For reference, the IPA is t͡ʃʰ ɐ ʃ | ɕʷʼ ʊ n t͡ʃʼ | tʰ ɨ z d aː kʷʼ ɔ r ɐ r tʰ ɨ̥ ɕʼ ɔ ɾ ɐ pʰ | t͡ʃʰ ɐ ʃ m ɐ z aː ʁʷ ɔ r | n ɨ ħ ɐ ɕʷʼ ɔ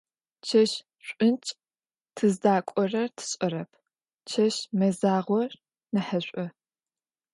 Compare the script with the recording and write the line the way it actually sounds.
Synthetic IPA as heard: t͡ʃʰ ɐ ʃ | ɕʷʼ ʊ n t͡ʃʼ | tʰ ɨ z d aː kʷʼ ɔ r ɐ r tʰ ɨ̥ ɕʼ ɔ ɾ ɐ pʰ | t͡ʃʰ ɐ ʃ m ɐ z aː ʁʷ ɔ r | n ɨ ħ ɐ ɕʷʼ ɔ